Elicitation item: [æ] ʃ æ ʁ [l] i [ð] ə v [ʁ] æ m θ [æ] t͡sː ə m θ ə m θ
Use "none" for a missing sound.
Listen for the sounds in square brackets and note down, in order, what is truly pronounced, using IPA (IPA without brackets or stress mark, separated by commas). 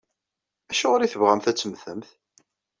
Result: æ, ɾ, θ, ʁ, æ